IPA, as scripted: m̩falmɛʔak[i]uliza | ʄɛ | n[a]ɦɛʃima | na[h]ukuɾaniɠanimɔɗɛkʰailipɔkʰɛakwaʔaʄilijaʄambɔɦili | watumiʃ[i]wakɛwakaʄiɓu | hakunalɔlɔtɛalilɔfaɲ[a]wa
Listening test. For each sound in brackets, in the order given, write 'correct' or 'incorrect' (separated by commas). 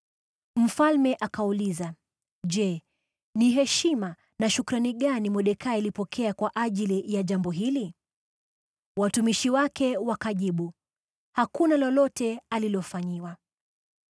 incorrect, incorrect, incorrect, correct, incorrect